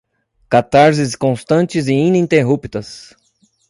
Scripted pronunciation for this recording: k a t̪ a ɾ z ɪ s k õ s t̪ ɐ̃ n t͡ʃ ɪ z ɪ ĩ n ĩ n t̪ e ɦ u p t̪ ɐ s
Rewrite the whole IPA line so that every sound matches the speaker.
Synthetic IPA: k a t̪ a ɾ z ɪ s k õ s t̪ ɐ̃ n t͡ʃ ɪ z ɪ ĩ n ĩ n t̪ e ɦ u p t̪ ɐ s